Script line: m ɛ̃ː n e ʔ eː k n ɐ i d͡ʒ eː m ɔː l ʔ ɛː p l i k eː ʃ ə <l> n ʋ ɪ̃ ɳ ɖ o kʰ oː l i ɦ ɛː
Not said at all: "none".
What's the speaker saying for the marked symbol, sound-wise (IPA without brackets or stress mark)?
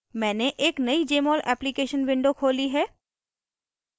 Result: none